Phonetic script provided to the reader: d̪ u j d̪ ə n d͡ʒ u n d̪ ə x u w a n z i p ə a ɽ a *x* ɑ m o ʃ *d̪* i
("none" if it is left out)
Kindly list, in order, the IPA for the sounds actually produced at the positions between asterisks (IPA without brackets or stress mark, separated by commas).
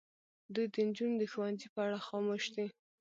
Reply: x, d̪